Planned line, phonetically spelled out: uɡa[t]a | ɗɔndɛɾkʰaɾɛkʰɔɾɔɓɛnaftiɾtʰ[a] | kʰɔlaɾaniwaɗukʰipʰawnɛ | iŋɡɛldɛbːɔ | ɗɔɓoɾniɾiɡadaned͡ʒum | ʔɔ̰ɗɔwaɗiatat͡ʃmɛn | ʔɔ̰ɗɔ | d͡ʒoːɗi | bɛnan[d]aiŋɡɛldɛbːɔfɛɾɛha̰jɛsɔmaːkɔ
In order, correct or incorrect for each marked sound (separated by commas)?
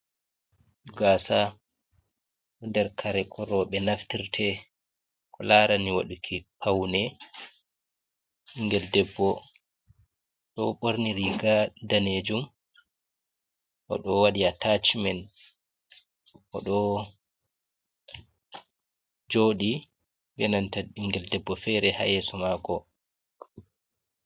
incorrect, incorrect, incorrect